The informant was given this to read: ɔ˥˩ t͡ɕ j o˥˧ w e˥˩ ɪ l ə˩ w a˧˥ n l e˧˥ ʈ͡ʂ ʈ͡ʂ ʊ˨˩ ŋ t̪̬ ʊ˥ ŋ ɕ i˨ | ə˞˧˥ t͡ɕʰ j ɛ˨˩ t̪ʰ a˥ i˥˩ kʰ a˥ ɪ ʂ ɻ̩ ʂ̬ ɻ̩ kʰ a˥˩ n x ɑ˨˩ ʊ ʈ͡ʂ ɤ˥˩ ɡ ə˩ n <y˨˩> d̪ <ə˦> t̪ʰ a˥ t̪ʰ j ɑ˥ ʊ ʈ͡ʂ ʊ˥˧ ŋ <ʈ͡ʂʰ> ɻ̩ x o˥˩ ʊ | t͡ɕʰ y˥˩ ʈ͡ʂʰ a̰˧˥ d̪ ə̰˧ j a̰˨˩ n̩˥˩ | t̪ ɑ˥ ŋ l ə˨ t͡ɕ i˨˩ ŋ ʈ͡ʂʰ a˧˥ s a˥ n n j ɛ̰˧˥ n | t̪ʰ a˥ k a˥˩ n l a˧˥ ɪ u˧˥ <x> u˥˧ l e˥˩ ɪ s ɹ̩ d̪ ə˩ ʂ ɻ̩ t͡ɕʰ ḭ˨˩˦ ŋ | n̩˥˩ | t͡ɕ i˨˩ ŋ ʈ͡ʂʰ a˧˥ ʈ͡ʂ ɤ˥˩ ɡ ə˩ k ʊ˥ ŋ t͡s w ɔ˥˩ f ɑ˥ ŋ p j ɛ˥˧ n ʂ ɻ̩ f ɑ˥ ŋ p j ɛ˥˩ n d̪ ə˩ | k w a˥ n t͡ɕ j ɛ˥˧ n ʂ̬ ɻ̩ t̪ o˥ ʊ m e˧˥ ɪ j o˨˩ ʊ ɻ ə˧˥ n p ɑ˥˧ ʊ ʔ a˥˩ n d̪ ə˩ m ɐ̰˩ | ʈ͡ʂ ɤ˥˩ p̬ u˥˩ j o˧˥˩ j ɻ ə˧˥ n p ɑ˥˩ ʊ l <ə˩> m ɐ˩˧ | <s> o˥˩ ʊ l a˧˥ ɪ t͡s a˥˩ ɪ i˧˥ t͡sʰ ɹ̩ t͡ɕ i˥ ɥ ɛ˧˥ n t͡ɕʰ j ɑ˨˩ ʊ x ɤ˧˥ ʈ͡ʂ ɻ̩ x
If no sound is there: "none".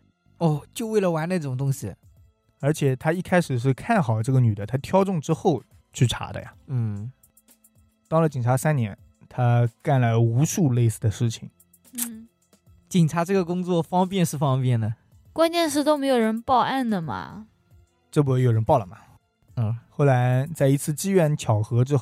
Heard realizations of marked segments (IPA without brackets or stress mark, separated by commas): y˨˩, ə˦, ʈ͡ʂ, ʂ, ə˩, x